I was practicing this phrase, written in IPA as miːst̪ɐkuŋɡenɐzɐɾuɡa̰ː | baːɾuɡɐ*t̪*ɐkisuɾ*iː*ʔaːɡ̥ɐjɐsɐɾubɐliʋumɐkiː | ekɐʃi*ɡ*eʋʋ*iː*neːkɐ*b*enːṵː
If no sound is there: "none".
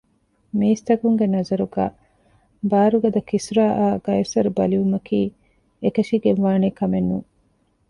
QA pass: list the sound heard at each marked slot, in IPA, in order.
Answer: d̪, aː, ɡ, aː, m

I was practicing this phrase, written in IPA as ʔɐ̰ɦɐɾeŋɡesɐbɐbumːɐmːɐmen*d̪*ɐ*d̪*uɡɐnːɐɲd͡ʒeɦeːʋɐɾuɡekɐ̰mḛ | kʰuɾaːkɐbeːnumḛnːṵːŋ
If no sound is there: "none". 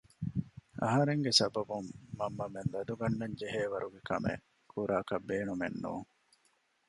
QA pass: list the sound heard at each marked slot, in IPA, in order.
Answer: d̪, d̪

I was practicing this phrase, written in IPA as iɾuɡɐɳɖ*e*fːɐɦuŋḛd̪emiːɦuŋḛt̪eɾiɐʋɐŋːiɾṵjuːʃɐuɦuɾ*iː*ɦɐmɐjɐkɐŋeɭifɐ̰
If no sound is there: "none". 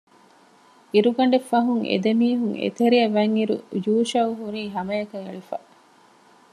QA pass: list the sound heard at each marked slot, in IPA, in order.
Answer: e, iː

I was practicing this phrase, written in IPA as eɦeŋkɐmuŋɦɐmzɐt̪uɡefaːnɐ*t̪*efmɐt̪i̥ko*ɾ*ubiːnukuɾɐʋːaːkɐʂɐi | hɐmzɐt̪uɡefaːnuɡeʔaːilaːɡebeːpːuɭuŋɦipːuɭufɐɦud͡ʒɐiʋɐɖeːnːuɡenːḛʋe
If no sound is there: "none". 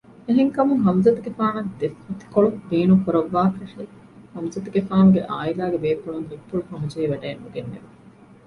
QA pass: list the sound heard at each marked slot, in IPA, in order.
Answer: d̪, ɭ

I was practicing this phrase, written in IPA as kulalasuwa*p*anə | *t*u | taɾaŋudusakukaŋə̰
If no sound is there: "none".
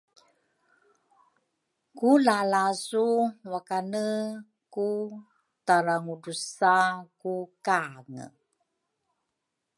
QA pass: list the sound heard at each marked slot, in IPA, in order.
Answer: k, k

